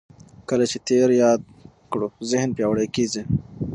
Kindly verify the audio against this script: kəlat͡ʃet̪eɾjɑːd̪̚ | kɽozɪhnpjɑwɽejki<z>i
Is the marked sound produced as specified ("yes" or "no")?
yes